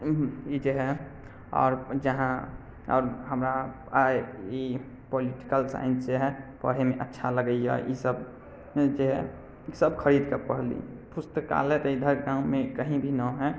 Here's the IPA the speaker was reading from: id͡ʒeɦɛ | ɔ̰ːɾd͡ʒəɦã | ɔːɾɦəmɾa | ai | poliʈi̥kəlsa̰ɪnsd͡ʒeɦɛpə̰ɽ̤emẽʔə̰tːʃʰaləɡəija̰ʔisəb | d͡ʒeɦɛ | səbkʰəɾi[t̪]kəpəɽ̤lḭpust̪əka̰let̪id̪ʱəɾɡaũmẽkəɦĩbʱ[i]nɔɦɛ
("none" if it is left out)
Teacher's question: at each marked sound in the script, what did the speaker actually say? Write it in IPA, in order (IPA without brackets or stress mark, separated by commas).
d̪, i